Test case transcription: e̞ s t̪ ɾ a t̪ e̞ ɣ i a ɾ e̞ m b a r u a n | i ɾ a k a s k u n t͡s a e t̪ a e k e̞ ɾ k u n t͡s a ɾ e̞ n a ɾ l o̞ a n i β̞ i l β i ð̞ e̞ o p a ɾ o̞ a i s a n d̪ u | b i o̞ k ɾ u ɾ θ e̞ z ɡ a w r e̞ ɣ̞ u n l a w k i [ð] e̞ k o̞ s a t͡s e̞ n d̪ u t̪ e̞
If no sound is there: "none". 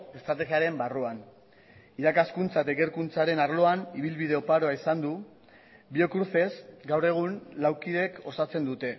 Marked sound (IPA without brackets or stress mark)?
ð